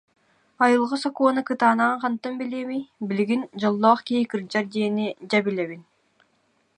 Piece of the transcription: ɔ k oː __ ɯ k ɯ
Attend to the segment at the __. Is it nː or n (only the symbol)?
n